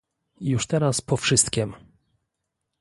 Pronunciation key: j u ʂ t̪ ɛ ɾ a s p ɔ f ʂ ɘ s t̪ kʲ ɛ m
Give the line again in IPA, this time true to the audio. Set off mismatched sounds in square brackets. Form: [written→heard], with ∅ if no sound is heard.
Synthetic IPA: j u ʂ t̪ ɛ ɾ a s p ɔ f ʂ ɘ s t̪ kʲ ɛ m